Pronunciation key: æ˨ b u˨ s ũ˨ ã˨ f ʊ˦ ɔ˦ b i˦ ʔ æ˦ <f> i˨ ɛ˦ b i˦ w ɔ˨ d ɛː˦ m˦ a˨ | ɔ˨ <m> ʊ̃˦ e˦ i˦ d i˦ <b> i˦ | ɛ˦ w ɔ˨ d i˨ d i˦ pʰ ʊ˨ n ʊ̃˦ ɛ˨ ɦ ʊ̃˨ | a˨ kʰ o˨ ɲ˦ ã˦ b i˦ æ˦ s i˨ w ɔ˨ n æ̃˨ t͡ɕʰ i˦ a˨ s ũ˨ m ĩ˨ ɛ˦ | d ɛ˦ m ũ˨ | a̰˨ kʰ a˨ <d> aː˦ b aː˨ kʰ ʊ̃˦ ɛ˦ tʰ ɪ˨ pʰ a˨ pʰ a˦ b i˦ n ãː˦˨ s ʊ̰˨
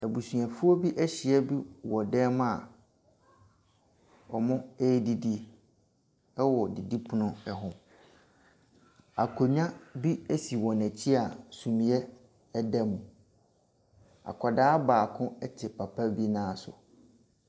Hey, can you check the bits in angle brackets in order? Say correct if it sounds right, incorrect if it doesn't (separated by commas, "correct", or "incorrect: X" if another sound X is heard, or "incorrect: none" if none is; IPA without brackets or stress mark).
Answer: incorrect: ɕ, correct, incorrect: d, correct